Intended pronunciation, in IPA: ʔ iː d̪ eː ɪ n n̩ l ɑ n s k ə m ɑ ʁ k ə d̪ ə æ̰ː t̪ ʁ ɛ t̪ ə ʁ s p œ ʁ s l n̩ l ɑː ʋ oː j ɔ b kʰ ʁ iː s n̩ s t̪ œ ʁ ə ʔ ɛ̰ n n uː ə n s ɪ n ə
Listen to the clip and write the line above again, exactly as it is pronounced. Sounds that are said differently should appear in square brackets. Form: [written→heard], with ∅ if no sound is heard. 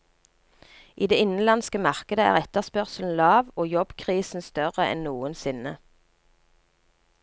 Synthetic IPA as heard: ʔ iː d̪ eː ɪ n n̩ l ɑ n s k ə m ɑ ʁ k ə d̪ ə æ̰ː [t̪→∅] ʁ ɛ t̪ ə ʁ s p œ ʁ s l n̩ l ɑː ʋ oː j ɔ b kʰ ʁ iː s n̩ s t̪ œ ʁ ə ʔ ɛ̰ n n uː ə n s ɪ n ə